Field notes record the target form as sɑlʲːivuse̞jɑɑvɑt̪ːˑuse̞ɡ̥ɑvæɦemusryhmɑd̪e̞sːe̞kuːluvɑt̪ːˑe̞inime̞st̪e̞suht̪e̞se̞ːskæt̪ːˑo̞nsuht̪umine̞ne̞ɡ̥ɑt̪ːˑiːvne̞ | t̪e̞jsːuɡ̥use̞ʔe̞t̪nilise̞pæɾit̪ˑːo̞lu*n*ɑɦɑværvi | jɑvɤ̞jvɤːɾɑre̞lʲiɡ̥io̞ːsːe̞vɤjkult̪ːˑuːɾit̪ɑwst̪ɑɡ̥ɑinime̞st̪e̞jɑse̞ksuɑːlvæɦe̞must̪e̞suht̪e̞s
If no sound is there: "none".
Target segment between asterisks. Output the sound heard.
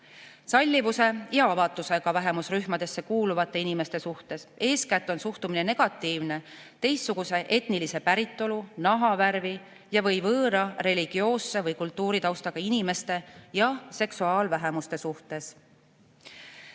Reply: n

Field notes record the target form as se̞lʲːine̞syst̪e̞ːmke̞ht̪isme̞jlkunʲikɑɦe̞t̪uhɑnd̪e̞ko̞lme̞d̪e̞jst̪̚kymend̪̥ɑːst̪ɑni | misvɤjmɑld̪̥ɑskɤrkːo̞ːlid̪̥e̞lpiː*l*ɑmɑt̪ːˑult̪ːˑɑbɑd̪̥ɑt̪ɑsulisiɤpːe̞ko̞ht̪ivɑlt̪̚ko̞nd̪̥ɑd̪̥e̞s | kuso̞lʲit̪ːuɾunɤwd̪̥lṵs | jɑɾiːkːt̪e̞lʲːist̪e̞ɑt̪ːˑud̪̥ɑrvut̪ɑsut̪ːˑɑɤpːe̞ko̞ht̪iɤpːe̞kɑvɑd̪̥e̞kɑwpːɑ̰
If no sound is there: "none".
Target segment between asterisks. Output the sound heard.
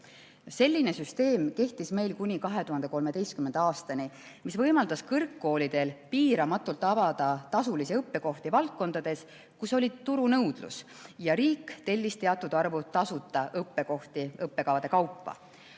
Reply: ɾ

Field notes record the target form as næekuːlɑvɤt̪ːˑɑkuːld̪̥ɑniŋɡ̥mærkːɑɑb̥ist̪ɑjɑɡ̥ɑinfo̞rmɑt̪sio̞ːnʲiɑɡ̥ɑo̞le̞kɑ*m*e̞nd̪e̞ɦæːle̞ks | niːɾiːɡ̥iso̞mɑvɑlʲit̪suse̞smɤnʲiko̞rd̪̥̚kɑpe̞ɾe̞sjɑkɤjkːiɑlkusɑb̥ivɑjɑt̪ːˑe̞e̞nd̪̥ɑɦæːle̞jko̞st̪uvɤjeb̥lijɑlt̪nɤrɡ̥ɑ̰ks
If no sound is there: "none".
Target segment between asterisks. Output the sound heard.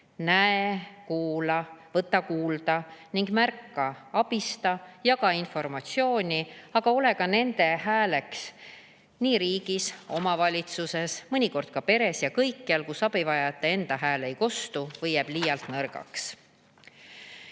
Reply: n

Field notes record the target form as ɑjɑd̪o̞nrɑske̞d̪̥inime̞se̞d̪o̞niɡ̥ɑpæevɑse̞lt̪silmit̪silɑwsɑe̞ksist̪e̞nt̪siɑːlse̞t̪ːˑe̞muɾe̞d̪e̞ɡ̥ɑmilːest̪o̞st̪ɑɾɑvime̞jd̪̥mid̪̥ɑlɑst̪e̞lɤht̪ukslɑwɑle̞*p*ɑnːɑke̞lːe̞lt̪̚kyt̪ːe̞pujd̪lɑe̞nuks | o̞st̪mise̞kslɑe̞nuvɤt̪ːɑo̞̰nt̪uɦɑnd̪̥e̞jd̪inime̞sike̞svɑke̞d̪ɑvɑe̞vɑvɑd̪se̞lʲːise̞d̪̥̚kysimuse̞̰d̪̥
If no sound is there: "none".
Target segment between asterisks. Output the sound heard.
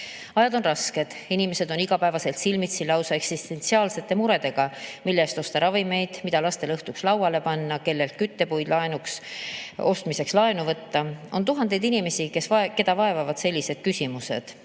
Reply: p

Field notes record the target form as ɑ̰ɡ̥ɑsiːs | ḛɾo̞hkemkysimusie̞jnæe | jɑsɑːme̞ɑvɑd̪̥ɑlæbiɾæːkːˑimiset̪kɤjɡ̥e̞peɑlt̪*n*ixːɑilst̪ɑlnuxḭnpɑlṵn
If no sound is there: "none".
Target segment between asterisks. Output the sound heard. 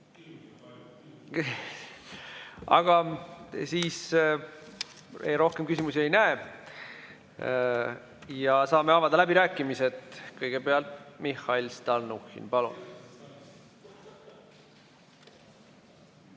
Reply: m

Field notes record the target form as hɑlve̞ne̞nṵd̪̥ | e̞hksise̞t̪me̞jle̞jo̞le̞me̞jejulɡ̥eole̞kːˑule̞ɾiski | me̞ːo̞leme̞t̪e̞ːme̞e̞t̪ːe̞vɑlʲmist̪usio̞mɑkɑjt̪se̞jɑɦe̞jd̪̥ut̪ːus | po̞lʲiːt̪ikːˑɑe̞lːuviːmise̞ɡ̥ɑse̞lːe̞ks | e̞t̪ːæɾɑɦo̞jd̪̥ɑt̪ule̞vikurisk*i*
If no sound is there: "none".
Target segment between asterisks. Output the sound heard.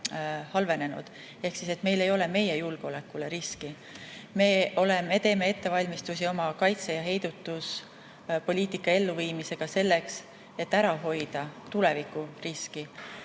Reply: i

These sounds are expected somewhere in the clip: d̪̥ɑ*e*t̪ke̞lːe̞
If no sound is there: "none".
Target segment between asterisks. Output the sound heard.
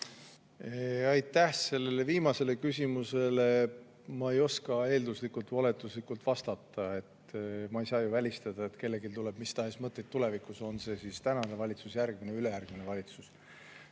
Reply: e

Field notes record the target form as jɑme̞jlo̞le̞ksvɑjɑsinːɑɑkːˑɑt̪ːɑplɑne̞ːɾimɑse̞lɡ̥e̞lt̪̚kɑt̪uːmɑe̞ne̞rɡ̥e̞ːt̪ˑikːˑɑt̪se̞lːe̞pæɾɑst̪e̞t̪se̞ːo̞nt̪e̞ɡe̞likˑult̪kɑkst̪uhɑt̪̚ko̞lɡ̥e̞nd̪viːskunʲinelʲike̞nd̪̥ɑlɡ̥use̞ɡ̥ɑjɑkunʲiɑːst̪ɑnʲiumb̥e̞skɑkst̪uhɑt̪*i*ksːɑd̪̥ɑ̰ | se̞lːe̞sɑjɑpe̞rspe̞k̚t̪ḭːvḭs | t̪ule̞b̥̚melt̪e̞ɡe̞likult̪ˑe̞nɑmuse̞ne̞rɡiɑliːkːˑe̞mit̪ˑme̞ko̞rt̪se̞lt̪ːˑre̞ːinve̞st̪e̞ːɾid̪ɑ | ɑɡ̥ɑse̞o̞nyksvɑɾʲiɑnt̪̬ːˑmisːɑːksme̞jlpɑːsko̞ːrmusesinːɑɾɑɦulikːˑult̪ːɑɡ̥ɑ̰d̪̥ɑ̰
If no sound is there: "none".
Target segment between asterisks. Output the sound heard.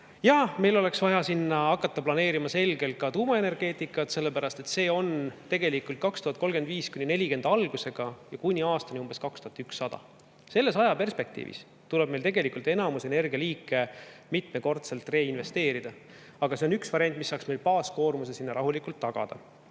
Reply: y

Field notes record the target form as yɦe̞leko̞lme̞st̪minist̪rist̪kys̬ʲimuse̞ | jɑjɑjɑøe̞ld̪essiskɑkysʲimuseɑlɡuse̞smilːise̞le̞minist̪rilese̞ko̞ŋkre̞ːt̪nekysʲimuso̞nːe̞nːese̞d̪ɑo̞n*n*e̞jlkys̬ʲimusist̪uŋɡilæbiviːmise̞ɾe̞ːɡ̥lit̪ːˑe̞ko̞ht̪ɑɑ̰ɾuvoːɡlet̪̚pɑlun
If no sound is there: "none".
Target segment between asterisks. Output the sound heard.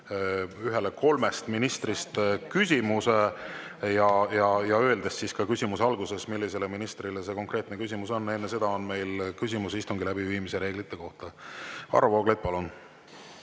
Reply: m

